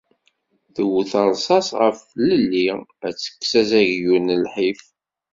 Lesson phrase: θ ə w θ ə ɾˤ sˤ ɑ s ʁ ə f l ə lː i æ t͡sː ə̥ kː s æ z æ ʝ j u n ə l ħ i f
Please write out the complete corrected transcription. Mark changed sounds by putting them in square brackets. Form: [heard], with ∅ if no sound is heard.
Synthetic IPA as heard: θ ə w θ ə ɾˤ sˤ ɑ s ʁ ə f l ə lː i æ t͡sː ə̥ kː s æ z æ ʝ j u n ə l ħ i f

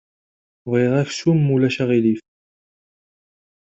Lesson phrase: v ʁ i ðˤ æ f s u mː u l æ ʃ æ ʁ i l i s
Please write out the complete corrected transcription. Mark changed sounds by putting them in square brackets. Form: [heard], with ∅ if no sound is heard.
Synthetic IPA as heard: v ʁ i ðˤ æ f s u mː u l æ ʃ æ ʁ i l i [f]

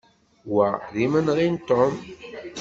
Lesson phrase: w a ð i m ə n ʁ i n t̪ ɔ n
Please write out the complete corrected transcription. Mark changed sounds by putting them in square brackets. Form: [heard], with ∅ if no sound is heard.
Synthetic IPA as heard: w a ð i m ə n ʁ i n t̪ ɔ [m]

